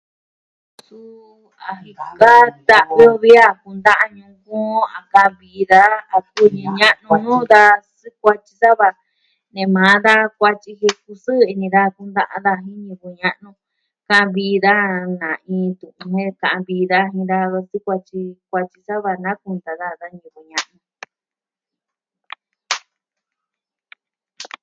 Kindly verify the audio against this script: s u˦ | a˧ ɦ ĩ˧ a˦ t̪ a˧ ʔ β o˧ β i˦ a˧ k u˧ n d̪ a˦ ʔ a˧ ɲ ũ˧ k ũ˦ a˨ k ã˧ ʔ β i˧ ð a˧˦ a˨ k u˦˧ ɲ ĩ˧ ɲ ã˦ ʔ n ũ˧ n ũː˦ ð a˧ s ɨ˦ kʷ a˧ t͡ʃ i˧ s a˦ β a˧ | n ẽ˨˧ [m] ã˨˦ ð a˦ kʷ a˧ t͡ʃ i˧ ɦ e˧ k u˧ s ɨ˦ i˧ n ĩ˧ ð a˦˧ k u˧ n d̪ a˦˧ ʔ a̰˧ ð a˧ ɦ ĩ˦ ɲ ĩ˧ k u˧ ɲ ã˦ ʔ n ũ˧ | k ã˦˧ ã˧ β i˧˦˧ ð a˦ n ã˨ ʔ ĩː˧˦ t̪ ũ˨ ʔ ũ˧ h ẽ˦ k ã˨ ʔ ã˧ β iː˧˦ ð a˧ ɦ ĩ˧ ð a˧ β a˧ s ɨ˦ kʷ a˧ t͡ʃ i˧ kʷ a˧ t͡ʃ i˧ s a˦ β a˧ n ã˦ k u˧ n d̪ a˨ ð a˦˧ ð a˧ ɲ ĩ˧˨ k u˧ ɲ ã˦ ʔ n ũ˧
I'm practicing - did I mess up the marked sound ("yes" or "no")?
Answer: no